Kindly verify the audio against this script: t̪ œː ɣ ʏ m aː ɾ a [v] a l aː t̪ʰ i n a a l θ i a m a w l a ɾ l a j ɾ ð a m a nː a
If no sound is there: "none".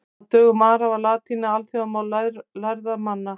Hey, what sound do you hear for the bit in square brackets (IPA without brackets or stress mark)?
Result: v